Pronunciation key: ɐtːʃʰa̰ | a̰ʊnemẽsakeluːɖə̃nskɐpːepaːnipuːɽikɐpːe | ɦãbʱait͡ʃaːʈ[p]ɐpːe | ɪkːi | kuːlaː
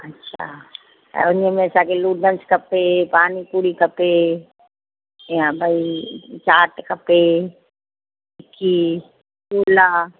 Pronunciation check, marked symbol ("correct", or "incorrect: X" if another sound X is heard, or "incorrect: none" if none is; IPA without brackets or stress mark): incorrect: k